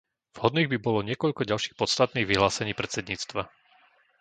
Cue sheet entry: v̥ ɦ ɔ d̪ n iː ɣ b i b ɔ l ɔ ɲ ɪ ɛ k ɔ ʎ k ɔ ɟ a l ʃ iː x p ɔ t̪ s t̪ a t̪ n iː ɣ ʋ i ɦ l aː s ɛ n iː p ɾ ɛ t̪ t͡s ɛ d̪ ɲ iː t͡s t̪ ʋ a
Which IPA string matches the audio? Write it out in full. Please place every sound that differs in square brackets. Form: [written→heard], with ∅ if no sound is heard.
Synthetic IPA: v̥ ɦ ɔ d̪ n iː ɣ b i b ɔ l ɔ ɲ ɪ ɛ k ɔ ʎ k ɔ ɟ a l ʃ iː x p ɔ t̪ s t̪ a t̪ n iː ɣ ʋ i ɦ l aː s ɛ [n→ɲ] iː p ɾ ɛ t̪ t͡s ɛ d̪ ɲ iː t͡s t̪ ʋ a